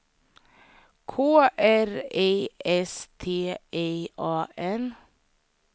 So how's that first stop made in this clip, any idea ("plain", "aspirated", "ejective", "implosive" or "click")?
aspirated